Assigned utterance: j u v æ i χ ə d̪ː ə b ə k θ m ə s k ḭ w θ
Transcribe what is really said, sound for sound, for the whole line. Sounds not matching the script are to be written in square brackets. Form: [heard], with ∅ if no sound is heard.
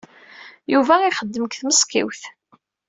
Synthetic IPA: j u v æ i χ ə d̪ː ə [m] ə k θ m ə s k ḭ w θ